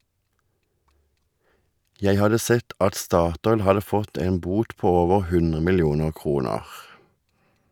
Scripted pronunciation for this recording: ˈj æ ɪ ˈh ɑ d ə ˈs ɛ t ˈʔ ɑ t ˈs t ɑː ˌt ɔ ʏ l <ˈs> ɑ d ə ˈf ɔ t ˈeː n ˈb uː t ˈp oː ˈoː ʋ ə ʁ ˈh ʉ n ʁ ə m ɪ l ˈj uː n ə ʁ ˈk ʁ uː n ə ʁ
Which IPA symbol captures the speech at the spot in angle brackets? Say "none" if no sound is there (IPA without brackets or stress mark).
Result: h